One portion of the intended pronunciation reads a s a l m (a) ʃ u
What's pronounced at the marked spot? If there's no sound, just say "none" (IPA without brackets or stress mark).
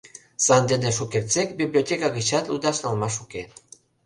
a